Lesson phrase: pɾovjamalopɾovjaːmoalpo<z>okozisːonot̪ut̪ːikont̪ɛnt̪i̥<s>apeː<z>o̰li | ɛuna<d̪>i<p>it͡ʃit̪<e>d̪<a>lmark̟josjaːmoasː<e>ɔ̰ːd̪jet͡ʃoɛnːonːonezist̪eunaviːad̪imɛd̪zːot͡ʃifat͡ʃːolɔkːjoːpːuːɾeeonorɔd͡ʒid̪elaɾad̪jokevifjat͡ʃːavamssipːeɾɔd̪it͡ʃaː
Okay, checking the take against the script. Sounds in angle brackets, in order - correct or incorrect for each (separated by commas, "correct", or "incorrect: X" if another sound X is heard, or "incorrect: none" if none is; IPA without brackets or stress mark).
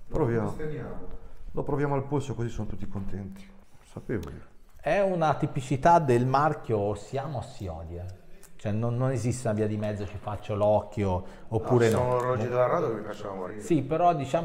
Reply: incorrect: s, correct, incorrect: v, incorrect: t̪, correct, incorrect: a, incorrect: e, incorrect: i